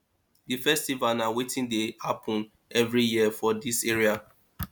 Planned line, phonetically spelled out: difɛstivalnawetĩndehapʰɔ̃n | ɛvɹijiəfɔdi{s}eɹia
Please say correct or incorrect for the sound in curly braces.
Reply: correct